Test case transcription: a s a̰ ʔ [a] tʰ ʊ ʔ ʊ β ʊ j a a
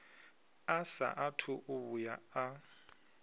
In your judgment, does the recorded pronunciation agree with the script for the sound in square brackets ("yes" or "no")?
yes